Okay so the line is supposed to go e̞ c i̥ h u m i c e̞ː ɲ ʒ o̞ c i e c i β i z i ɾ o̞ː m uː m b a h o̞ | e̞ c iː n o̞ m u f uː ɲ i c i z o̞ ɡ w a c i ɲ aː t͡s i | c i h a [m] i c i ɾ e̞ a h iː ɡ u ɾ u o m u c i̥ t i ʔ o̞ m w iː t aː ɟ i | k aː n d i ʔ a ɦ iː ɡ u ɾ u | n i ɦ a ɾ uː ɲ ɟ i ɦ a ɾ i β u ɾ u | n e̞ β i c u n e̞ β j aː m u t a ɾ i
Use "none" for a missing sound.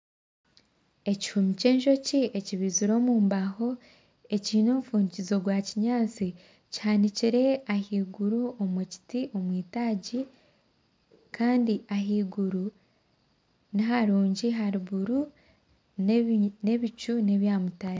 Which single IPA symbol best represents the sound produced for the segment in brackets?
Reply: n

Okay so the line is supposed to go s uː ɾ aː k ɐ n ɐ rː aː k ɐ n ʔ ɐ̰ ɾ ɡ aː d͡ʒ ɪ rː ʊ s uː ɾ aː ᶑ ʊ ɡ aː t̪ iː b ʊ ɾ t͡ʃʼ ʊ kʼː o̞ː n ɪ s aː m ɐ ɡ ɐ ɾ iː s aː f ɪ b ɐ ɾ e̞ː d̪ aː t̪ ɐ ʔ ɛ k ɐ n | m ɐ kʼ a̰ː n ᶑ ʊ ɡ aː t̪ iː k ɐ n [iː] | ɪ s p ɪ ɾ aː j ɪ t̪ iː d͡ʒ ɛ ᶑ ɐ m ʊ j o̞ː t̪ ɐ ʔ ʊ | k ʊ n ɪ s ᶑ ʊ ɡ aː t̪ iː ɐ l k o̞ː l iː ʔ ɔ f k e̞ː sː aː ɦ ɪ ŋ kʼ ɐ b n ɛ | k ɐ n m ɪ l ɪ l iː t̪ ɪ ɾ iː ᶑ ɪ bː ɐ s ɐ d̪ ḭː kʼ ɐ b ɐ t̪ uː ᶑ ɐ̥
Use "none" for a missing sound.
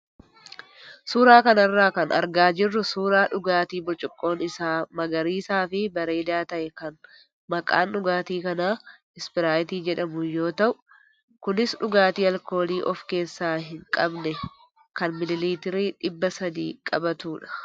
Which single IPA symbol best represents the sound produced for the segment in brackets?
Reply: aː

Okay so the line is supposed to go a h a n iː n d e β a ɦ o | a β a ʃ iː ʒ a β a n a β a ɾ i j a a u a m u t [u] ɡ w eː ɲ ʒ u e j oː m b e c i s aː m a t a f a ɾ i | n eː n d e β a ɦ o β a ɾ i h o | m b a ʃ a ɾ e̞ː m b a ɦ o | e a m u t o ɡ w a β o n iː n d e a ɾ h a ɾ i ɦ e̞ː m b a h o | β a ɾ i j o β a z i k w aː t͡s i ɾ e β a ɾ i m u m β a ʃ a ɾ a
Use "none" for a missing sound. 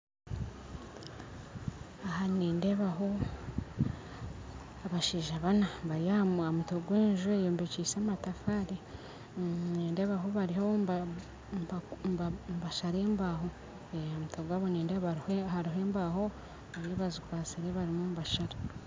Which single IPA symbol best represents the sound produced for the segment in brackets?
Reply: o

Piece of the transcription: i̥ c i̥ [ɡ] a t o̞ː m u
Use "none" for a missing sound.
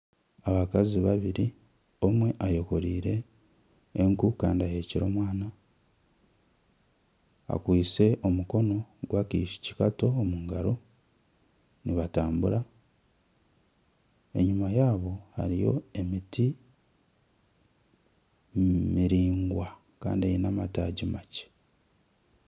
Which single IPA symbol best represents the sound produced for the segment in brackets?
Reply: k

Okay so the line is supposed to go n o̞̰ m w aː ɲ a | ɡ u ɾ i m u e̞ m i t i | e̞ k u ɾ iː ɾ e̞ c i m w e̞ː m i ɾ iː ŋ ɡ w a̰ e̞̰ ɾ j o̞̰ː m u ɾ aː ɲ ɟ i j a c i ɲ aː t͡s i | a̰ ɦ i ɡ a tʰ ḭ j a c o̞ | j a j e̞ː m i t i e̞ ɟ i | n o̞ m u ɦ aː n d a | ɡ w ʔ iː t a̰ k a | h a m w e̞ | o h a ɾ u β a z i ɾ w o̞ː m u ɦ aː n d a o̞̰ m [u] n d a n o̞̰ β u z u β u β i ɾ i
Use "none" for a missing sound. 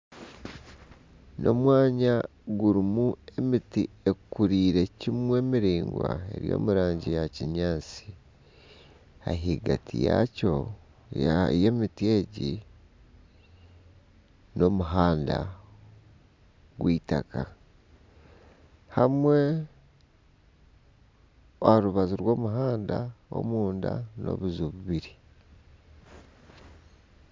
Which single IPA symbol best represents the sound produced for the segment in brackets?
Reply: uː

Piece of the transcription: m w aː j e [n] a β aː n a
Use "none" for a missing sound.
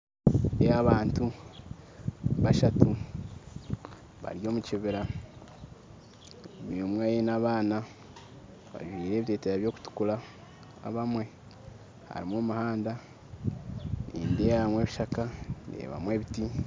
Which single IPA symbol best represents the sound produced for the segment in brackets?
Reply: n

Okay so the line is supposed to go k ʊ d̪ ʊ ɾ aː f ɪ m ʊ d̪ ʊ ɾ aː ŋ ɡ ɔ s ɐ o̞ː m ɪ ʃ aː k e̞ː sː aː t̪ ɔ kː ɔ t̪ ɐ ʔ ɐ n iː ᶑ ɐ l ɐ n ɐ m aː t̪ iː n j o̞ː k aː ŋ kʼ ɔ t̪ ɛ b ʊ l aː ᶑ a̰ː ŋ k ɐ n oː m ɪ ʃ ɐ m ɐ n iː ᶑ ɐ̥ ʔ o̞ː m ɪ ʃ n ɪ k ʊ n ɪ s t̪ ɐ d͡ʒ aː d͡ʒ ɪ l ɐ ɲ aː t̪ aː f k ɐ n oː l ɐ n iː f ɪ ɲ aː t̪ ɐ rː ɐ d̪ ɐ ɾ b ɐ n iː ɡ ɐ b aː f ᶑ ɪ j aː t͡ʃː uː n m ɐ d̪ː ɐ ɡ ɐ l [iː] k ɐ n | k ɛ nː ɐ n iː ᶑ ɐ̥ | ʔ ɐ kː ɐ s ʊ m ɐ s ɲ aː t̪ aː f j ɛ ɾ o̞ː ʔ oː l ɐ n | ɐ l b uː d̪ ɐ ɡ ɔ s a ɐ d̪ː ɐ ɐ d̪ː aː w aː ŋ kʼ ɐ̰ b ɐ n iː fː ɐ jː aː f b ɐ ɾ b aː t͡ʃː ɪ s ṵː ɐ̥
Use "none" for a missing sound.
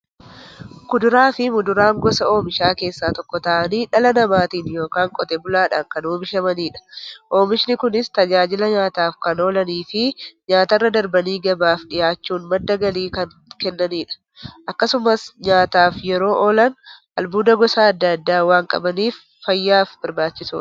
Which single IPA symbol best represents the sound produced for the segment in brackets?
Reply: iː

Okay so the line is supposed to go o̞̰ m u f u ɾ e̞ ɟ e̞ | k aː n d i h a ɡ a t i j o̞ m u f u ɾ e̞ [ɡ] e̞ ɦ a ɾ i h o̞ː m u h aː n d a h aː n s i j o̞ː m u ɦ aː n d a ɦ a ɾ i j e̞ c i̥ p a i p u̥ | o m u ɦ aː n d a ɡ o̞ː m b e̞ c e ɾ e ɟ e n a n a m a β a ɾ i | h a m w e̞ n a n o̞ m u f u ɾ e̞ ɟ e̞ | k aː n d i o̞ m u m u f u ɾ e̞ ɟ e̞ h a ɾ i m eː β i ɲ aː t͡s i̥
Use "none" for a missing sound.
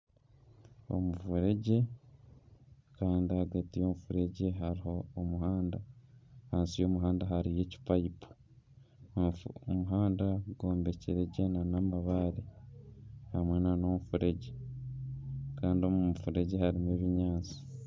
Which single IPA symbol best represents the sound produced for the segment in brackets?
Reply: ɟ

